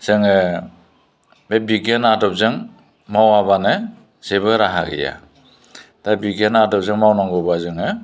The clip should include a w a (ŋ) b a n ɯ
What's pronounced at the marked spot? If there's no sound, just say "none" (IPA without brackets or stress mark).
none